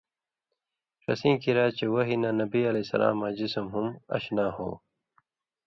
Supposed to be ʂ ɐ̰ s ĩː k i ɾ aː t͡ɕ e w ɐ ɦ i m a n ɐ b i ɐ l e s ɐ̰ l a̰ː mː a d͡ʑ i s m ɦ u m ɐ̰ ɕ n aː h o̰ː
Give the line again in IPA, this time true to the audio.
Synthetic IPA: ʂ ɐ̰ s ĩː k i ɾ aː t͡ɕ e w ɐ ɦ i n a n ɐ b i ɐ l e s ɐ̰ l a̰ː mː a d͡ʑ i s m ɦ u m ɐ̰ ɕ n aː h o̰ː